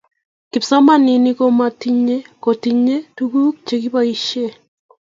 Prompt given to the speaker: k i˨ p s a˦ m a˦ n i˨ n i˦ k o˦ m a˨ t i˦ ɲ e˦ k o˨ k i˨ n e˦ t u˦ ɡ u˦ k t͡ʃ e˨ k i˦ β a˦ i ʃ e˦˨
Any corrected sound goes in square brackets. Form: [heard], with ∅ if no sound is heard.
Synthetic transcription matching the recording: k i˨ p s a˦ m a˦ n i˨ n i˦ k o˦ m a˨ t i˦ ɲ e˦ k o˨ [t] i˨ [ɲ] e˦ t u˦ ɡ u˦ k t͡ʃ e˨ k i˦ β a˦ i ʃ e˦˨